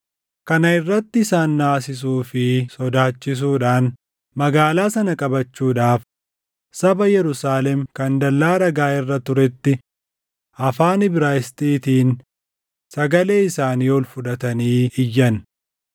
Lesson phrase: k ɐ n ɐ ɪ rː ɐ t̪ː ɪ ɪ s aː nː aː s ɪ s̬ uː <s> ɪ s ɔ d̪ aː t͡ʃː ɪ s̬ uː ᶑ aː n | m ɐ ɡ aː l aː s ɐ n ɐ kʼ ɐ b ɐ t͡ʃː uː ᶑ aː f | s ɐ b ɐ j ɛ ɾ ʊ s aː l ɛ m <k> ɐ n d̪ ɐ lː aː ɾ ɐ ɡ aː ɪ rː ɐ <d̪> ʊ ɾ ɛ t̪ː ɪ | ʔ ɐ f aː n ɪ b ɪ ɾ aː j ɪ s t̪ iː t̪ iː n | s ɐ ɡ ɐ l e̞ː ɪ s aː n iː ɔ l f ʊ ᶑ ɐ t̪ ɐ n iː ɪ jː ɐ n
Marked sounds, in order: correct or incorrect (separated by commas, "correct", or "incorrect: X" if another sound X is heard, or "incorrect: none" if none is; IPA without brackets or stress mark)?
incorrect: f, correct, incorrect: t̪